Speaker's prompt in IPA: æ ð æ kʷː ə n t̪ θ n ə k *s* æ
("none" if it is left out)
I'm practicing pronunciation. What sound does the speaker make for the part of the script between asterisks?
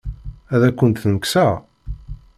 s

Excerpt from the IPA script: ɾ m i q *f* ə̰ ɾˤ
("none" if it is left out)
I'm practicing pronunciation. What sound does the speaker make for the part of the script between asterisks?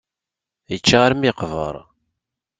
v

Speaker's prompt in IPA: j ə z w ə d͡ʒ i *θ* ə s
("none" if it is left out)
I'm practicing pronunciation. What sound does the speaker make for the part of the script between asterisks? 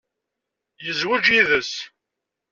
ð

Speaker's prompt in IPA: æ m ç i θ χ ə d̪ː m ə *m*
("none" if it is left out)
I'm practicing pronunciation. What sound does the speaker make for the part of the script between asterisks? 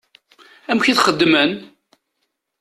n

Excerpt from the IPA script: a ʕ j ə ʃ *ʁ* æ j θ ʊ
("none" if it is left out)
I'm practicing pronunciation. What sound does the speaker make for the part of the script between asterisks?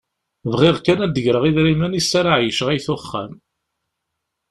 ʁ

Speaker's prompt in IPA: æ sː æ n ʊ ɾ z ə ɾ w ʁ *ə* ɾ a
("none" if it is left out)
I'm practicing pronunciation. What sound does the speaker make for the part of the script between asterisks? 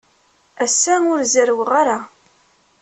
a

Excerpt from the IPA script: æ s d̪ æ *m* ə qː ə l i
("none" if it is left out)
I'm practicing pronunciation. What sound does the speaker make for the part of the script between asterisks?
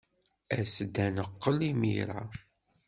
n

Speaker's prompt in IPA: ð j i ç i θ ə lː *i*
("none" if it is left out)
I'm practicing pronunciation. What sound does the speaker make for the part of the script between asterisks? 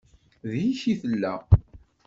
æ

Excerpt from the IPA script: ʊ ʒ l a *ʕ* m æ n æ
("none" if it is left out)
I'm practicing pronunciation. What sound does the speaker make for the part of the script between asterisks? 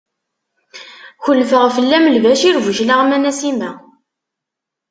ʁ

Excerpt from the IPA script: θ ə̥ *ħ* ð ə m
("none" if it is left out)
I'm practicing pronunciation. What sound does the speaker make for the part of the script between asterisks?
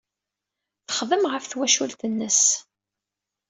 χ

